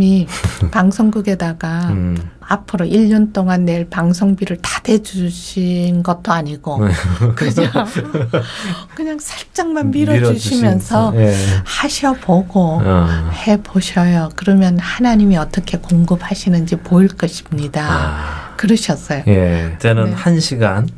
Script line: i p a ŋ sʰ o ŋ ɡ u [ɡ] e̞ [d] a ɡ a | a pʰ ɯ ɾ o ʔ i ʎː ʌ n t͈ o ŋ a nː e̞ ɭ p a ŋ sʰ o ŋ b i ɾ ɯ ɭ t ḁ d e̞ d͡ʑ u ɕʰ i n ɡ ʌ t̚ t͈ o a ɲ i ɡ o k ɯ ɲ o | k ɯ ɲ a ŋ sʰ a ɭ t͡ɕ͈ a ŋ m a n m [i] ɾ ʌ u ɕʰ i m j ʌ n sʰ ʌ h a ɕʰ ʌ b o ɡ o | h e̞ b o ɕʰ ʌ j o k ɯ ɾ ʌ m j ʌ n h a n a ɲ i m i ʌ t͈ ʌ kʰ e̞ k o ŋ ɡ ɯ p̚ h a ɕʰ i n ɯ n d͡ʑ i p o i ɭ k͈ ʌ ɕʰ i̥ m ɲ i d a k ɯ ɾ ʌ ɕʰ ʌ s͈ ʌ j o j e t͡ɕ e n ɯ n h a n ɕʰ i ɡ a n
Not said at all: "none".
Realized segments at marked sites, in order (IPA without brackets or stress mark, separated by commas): ɡ, d, i